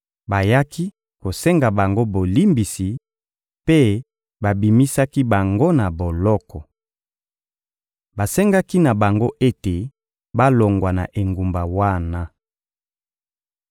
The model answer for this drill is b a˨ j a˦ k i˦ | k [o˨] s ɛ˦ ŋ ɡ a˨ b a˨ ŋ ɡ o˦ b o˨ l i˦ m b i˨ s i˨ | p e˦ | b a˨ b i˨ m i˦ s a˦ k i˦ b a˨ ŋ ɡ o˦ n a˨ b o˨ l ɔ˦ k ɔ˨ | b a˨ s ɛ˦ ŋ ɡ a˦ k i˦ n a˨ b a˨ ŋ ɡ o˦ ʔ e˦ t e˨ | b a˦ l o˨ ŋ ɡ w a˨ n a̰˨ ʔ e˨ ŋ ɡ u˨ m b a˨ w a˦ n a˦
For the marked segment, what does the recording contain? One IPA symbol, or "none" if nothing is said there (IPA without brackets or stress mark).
o˨